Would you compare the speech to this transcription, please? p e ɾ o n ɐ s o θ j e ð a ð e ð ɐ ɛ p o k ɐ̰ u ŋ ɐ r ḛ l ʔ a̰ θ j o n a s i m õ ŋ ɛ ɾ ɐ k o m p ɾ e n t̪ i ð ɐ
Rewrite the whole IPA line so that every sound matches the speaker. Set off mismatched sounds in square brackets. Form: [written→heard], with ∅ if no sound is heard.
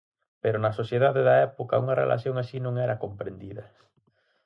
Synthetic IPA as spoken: p e ɾ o n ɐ s o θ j e ð a ð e ð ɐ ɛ p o k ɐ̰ u ŋ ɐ r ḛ l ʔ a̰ θ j o [n→ŋ] a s i [m→n] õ ŋ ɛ ɾ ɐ k o m p ɾ e n [t̪→d̪] i ð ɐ